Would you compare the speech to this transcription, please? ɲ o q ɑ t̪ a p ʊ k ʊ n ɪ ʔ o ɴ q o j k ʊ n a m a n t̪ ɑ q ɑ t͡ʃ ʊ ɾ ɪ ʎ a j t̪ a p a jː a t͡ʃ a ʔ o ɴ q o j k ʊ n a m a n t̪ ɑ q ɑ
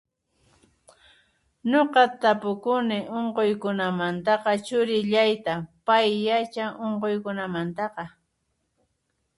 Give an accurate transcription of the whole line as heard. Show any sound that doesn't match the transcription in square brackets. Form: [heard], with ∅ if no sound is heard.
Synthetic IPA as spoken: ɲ o q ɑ t̪ a p ʊ k ʊ n ɪ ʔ o ɴ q o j k ʊ n a m a n t̪ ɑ q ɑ t͡ʃ ʊ ɾ ɪ ʎ a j t̪ a p a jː a t͡ʃ a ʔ o ɴ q o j k ʊ n a m a n t̪ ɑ q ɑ